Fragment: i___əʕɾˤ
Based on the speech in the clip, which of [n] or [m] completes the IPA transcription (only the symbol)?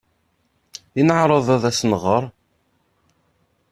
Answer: n